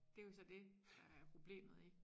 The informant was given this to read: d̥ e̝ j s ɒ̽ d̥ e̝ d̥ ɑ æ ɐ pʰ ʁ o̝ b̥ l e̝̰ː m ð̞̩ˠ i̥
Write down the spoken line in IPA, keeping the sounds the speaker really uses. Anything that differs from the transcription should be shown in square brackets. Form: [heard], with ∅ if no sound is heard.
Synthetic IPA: d̥ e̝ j s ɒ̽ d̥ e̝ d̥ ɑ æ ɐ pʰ ʁ o̝ b̥ l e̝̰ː m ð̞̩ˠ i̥